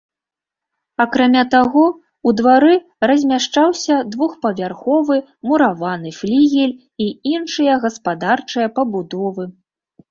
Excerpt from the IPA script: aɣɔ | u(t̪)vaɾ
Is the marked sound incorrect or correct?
incorrect